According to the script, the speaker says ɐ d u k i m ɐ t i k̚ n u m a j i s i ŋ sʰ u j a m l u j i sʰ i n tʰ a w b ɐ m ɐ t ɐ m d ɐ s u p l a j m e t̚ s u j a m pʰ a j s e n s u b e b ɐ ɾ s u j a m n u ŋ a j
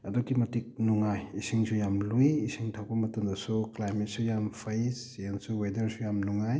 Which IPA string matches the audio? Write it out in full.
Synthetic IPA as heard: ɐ d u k i m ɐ t i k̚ n u ŋ a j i s i ŋ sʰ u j a m l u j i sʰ i ŋ tʰ a w b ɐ m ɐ t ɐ m d ɐ s u k l a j m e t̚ s u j a m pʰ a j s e n s u w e d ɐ ɾ s u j a m n u ŋ a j